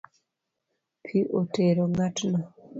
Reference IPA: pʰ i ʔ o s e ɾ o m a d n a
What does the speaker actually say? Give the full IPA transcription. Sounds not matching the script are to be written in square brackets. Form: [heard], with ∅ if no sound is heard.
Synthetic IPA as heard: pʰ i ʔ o [t] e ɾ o [ŋ] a [t] n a